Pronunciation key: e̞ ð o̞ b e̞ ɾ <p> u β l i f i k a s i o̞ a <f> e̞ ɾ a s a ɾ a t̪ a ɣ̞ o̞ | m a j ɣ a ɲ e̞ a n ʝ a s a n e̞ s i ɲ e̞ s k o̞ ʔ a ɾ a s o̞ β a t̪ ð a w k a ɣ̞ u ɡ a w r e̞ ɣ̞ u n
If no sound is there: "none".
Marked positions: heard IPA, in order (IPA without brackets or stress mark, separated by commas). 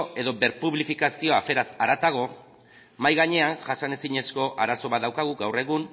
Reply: p, f